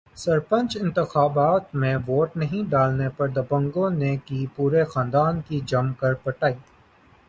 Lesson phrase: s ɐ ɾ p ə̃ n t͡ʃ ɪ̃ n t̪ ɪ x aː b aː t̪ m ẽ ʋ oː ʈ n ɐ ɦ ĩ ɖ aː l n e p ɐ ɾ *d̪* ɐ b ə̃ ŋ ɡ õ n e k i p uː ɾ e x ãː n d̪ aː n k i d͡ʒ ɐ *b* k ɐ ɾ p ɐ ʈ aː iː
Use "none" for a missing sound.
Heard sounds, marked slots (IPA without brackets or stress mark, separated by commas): d̪, m